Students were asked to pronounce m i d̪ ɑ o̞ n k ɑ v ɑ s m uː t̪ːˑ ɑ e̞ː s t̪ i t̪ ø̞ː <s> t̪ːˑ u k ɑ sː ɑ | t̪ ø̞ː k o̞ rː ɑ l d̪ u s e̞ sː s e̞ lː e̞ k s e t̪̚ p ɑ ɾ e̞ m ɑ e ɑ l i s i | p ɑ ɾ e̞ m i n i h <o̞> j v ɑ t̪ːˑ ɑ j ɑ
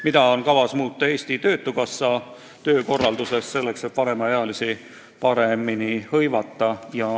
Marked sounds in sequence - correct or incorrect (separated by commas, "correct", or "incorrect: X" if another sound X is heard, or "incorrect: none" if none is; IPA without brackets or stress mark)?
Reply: incorrect: none, incorrect: ɤ̞